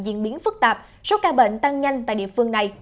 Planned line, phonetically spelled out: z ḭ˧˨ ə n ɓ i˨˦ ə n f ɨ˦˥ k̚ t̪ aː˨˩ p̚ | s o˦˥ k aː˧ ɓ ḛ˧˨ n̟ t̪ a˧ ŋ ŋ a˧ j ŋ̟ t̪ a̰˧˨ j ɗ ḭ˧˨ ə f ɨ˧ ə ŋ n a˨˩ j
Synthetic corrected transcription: z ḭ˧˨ ə n ɓ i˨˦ ə n f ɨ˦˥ k̚ t̪ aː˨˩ p̚ | s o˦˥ k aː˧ ɓ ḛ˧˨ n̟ t̪ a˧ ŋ ɲ a˧ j ŋ̟ t̪ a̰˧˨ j ɗ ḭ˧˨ ə f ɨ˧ ə ŋ n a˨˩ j